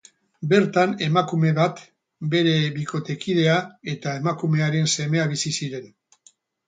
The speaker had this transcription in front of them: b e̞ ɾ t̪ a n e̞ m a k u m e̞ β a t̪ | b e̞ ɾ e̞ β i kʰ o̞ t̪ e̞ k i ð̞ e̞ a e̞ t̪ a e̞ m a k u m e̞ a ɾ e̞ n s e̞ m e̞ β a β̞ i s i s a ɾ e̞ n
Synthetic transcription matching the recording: b e̞ ɾ t̪ a n e̞ m a k u m e̞ β a t̪ | b e̞ ɾ e̞ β i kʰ o̞ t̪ e̞ k i ð̞ e̞ a e̞ t̪ a e̞ m a k u m e̞ a ɾ e̞ n s e̞ m e̞ a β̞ i s i s i ɾ e̞ n